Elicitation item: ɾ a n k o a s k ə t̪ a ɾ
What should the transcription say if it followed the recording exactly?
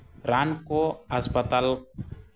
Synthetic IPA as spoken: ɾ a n k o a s p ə t̪ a l